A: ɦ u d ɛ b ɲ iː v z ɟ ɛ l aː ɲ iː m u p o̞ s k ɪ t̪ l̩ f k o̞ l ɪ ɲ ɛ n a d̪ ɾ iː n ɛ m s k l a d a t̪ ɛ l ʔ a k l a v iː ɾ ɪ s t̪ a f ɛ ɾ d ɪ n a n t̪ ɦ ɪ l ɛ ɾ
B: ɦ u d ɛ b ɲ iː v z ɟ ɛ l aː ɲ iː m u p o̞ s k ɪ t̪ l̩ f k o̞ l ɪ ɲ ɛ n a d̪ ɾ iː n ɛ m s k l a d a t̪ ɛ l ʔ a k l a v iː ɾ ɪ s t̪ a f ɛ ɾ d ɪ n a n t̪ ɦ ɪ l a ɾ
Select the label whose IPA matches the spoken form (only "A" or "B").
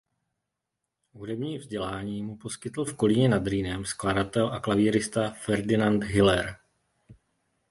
A